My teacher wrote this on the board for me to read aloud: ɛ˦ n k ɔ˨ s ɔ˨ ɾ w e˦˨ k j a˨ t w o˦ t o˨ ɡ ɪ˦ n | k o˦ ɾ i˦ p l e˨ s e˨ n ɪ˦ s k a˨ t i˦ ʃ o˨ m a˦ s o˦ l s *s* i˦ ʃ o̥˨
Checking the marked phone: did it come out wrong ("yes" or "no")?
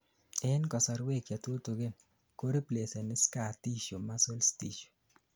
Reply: yes